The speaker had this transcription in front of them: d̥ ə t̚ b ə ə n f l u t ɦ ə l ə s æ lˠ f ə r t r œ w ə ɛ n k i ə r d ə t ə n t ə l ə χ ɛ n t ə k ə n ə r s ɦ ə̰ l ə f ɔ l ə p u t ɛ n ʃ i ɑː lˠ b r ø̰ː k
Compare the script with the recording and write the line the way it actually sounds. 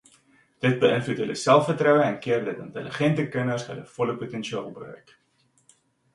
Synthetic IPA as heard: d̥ ə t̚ b ə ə n f l u t ɦ ə l ə s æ lˠ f ə r t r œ w ə ɛ n k i ə r d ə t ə n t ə l ə χ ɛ n t ə k ə n ə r s ɦ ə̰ l ə f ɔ l ə p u t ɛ n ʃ i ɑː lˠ b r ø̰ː k